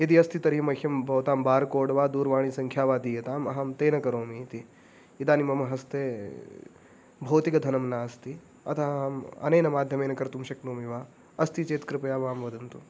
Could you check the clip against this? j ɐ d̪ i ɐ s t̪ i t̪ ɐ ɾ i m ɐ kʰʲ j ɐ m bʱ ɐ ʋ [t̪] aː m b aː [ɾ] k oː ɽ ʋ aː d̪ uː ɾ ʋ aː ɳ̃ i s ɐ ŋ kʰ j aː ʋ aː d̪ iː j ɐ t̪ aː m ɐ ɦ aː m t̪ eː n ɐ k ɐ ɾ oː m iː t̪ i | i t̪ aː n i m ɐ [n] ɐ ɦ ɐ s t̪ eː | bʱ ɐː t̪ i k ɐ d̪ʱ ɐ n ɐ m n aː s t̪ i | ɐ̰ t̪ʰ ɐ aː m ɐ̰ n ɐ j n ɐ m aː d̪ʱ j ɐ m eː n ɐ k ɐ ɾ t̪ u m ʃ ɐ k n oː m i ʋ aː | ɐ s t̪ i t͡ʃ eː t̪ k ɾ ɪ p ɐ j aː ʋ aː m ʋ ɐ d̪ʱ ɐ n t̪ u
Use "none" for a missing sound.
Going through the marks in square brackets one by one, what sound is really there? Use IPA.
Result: t̪, ɾ, m

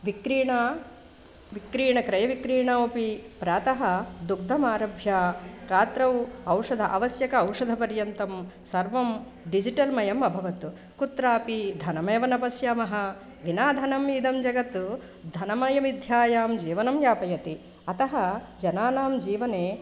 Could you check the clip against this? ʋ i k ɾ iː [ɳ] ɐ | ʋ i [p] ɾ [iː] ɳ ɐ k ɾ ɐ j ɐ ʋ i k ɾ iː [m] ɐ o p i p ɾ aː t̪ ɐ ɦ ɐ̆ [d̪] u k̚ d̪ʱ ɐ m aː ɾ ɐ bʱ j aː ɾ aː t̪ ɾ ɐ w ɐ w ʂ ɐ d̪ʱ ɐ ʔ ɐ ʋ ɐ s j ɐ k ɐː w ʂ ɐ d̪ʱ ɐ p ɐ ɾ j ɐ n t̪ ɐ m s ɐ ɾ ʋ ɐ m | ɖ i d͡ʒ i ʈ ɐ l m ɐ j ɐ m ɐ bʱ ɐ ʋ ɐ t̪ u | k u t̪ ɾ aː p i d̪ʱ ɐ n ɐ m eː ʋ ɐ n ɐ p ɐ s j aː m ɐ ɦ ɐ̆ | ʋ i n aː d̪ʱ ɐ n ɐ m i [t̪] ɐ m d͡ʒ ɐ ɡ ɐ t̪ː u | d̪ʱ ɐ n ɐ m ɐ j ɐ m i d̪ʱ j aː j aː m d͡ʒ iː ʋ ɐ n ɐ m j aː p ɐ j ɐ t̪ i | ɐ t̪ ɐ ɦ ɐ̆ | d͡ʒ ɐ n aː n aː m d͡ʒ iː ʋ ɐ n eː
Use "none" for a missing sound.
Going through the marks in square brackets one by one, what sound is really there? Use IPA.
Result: ɳ, k, iː, ɳ, d̪, d̪

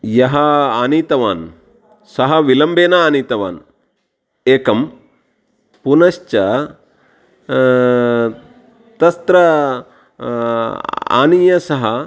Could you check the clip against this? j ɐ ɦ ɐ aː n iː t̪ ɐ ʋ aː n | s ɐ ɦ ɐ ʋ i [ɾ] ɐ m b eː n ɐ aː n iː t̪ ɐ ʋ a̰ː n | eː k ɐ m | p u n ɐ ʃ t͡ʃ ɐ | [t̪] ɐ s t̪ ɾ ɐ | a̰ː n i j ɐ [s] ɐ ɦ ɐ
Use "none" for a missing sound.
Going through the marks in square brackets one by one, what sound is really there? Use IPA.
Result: l, t̪, s

